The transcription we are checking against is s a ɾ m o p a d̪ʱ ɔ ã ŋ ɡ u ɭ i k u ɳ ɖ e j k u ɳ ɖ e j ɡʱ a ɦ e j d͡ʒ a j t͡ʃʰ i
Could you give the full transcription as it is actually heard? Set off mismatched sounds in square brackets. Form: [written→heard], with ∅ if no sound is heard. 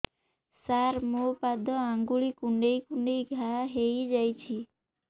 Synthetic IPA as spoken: s a ɾ m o p a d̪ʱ ɔ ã ŋ ɡ u ɭ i k u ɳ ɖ e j k u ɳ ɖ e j ɡʱ a ɦ e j d͡ʒ a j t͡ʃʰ i